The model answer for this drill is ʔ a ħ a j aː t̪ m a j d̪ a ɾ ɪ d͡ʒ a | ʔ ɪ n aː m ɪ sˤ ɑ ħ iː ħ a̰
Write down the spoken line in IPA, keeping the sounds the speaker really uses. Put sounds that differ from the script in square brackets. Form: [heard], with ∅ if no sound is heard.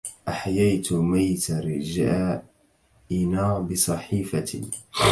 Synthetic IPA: ʔ a ħ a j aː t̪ m a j [t̪] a ɾ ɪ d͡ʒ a | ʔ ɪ n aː [b] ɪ sˤ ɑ ħ iː [f] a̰

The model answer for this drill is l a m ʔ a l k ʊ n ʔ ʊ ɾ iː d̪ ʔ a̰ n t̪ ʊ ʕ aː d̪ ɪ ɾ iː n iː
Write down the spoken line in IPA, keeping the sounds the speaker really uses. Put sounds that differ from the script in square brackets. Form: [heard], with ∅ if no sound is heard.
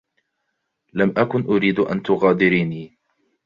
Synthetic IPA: l a m ʔ a [∅] k ʊ n ʔ ʊ ɾ iː d̪ ʔ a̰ n t̪ ʊ [ɣ] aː d̪ ɪ ɾ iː n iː

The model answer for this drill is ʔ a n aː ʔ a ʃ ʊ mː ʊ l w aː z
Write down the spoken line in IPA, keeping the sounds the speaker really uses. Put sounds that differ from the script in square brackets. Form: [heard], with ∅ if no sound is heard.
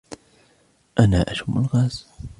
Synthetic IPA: ʔ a n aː ʔ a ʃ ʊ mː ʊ l [ɣ] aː z

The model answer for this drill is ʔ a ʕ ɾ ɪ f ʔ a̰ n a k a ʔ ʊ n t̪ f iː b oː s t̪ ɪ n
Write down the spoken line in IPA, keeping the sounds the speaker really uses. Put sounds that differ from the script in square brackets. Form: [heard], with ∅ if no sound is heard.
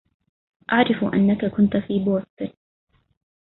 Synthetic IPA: ʔ a ʕ ɾ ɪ f ʔ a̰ [nː] a k a [k] ʊ n t̪ f iː b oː s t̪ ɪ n

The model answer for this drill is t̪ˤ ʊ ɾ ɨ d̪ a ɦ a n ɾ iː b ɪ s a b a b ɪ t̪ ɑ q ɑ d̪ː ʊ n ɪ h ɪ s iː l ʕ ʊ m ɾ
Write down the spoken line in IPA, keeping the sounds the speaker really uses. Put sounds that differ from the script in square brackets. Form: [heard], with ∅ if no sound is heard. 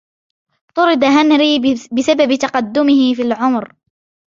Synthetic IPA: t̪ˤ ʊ ɾ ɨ d̪ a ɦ a n ɾ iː b ɪ s a b a b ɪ t̪ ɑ q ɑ d̪ː ʊ [m] ɪ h ɪ [f] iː l ʕ ʊ m ɾ

